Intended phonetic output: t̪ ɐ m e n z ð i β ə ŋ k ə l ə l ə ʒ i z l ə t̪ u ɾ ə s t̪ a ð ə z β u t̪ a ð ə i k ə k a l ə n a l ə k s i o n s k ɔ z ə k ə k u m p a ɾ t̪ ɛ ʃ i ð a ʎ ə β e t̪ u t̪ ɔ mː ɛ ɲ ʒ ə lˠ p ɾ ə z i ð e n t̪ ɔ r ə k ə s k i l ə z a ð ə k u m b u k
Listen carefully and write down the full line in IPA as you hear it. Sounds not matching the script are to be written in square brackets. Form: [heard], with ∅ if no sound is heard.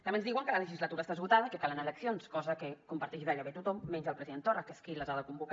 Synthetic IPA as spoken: t̪ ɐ m e n z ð i [w] ə ŋ k ə l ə l ə ʒ i z l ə t̪ u ɾ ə s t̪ a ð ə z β u t̪ a ð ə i k ə k a l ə n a l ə k s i o n s k ɔ z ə k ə k u m p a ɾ t̪ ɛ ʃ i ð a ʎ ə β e t̪ u t̪ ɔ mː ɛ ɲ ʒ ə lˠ p ɾ ə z i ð e n t̪ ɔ r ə k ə s k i l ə z a ð ə k u m b u k